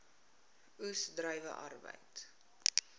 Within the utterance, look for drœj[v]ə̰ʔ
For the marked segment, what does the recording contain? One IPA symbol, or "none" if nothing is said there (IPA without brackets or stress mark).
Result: v